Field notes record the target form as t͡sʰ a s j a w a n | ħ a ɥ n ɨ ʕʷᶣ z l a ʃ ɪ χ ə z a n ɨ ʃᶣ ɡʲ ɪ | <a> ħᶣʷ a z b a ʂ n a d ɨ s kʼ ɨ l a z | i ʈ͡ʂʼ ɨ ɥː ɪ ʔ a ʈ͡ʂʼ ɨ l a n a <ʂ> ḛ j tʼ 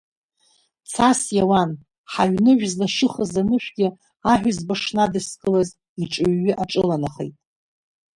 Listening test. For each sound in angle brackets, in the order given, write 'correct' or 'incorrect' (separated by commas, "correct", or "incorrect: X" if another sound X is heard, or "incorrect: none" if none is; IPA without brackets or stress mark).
correct, incorrect: χ